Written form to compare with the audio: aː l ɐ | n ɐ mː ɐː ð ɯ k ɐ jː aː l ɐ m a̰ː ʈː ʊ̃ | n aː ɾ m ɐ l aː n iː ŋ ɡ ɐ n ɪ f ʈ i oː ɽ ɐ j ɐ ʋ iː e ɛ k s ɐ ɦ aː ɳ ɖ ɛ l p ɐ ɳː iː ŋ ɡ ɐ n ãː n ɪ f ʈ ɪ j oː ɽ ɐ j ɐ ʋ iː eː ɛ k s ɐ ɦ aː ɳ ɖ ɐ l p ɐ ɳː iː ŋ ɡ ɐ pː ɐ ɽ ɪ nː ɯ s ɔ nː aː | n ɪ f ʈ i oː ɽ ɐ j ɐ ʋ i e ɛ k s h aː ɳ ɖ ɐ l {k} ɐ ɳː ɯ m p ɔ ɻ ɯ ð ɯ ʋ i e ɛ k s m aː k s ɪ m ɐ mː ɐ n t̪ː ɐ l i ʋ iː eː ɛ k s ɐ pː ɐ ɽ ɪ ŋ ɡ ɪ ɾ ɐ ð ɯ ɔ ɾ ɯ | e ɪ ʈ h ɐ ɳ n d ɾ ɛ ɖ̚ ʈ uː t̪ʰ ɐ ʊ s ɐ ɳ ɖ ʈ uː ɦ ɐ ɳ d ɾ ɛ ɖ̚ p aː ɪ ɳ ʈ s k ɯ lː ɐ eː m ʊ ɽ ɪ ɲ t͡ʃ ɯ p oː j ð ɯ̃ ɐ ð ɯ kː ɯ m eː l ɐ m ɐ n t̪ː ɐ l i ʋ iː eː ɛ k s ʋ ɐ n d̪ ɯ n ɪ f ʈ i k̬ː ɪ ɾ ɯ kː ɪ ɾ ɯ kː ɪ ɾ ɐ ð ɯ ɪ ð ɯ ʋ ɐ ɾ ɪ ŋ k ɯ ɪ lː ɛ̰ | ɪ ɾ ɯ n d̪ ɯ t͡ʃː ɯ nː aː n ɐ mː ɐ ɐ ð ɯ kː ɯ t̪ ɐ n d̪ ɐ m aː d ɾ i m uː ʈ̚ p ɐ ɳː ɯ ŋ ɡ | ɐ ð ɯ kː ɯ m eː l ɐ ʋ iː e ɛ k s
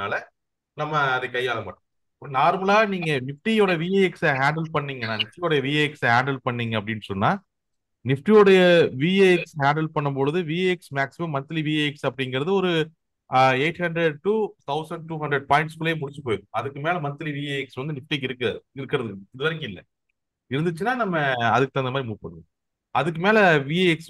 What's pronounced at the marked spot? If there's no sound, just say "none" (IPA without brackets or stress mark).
p